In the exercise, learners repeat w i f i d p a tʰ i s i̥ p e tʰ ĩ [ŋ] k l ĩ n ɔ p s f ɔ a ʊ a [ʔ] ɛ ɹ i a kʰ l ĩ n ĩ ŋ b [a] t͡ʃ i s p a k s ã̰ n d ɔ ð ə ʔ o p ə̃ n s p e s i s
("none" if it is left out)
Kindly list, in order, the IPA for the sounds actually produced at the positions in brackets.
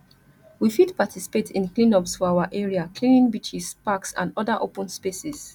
n, ʔ, i

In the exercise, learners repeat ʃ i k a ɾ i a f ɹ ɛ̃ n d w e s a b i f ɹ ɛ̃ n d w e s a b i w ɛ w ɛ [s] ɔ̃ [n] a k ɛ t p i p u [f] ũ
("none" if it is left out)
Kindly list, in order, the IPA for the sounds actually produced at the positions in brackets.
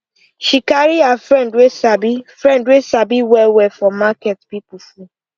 f, m, f

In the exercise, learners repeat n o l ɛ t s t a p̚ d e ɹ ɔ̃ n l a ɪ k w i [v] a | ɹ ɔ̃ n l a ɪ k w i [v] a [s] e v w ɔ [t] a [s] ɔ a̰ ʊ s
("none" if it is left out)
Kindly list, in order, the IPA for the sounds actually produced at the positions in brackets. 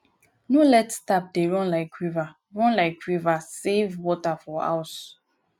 v, v, s, t, f

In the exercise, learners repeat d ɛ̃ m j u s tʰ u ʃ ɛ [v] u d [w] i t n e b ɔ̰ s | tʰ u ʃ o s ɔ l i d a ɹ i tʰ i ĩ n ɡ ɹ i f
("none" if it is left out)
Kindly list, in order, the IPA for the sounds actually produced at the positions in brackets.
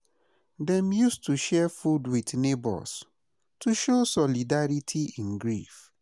f, w

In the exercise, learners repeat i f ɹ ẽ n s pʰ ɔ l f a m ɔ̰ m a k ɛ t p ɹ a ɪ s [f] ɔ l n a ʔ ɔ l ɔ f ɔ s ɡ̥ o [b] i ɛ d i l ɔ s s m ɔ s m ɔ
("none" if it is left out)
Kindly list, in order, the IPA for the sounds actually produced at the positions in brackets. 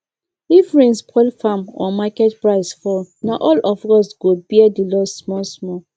f, b

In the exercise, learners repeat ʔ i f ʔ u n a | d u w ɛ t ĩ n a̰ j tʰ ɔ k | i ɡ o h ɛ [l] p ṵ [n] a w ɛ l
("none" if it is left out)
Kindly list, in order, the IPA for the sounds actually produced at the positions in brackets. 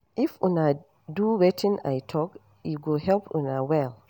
l, n

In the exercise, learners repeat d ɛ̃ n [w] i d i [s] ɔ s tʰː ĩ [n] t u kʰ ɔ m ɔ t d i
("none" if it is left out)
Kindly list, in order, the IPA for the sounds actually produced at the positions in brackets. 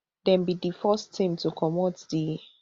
b, f, m

